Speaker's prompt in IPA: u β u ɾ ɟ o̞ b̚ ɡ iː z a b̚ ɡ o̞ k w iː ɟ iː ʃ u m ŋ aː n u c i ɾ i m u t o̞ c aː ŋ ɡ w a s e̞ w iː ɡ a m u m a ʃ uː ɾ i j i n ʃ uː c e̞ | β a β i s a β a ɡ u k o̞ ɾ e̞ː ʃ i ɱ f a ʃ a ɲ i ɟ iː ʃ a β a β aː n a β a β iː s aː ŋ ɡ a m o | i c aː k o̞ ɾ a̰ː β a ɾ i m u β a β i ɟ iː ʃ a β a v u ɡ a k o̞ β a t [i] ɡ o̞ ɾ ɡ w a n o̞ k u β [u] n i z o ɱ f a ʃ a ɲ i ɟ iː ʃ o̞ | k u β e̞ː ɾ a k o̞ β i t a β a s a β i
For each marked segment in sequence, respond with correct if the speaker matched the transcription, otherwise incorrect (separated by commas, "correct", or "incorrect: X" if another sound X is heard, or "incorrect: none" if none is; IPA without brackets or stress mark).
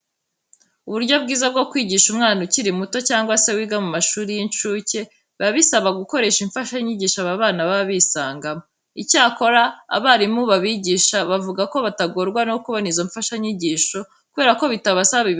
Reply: incorrect: a, incorrect: o